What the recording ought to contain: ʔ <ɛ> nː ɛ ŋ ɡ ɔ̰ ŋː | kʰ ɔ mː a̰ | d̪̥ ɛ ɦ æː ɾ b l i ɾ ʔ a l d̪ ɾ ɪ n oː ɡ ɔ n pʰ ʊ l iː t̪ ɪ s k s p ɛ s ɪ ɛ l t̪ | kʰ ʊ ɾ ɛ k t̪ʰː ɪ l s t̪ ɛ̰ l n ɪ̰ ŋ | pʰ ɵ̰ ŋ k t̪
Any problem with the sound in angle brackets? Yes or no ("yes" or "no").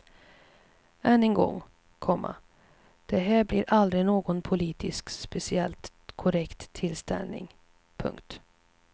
no